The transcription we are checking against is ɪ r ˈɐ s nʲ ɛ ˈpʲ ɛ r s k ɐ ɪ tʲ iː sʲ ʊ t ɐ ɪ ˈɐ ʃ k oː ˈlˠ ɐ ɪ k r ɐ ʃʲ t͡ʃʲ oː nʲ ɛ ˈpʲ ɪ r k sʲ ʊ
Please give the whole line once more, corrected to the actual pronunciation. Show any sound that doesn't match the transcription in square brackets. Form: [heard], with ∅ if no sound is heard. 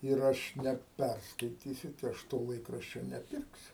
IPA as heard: ɪ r ˈɐ [ʃ] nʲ ɛ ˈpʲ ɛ r s k ɐ ɪ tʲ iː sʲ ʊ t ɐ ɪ ˈɐ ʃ [t] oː ˈlˠ ɐ ɪ k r ɐ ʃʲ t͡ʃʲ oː nʲ ɛ ˈpʲ ɪ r k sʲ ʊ